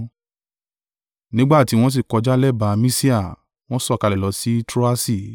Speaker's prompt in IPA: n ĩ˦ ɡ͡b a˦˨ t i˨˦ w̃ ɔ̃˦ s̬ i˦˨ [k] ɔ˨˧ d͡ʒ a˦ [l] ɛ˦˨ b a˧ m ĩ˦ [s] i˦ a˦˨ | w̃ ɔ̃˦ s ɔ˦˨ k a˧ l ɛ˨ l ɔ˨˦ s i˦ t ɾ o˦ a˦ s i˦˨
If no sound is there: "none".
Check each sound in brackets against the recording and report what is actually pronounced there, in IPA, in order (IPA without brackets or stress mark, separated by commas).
k, l, s